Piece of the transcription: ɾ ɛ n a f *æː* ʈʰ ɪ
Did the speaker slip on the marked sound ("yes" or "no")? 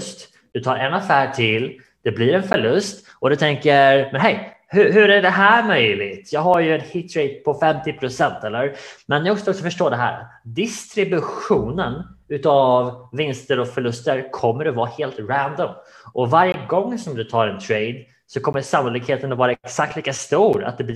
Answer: no